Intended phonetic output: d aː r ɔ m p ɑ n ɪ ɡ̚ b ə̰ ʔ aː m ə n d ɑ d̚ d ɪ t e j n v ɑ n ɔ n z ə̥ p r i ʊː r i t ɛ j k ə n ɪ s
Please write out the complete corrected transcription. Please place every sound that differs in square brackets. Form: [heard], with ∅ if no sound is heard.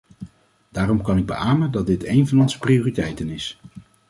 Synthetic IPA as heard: d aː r ɔ m [k] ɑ n ɪ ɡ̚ b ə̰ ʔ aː m ə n d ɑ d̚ d ɪ t e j n v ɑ n ɔ n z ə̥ p r i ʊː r i t ɛ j [t] ə n ɪ s